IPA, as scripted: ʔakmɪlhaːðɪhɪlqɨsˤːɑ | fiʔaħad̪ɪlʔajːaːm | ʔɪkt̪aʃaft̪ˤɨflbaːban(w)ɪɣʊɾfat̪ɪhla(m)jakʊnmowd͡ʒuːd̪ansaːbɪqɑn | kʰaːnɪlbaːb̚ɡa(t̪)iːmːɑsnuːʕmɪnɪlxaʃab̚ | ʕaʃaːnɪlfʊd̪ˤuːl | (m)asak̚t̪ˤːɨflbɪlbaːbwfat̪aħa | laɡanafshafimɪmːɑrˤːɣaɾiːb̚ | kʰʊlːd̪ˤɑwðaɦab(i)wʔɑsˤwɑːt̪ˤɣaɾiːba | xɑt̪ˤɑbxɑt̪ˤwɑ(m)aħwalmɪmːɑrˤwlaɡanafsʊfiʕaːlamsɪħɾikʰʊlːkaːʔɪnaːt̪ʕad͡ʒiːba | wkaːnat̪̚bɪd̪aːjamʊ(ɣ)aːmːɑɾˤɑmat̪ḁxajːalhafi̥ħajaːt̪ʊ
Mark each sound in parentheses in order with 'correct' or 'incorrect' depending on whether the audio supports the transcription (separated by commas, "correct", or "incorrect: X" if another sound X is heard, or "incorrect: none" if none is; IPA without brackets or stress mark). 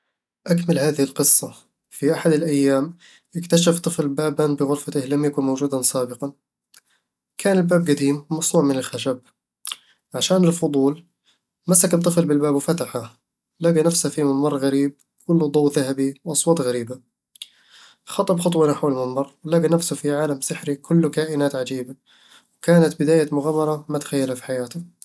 incorrect: b, correct, incorrect: d̪, correct, correct, incorrect: n, correct